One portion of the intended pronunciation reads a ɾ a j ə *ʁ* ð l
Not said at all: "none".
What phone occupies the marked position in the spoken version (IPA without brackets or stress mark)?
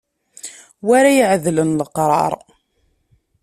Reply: ʕ